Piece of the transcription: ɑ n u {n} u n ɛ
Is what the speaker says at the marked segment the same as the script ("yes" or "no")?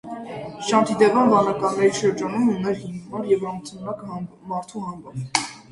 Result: no